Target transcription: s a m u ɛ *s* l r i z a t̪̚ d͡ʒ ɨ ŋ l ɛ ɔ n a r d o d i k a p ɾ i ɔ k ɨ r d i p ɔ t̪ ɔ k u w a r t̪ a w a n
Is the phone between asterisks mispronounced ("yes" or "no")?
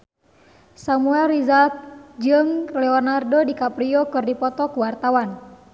yes